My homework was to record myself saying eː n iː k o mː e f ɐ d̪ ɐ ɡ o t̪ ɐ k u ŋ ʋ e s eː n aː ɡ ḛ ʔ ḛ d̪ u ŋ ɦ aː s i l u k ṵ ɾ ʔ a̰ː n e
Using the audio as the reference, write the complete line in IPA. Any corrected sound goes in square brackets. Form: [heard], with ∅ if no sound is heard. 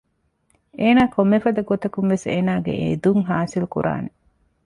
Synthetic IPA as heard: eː n [aː] k o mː e f ɐ d̪ ɐ ɡ o t̪ ɐ k u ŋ ʋ e s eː n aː ɡ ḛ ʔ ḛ d̪ u ŋ ɦ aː s i l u k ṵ ɾ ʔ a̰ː n e